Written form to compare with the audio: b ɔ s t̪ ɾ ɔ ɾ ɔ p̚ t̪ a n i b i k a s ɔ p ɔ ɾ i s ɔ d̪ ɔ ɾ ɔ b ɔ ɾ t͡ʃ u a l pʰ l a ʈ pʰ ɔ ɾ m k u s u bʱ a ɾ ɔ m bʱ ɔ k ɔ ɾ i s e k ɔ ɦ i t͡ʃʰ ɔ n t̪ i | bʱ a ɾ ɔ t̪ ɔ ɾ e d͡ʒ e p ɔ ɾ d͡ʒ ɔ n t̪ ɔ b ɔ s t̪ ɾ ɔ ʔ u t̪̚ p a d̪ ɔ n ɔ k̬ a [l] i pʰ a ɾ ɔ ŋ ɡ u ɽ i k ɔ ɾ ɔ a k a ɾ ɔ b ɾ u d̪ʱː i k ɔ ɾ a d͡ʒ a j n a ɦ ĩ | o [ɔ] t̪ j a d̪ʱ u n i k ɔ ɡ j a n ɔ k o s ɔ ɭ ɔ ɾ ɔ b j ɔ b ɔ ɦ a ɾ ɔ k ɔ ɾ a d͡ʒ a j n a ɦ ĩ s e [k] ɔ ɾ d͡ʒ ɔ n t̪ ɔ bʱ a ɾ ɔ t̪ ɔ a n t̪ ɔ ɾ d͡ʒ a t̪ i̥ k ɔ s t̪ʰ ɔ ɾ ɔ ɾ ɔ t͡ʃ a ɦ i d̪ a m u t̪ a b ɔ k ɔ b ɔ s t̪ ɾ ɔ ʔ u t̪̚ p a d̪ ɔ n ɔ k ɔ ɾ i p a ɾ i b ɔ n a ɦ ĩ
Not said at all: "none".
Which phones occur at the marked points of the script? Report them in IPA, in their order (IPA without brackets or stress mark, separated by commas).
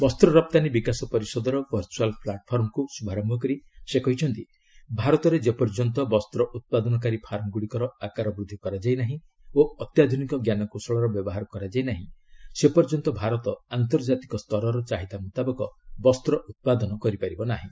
ɾ, ɔ, p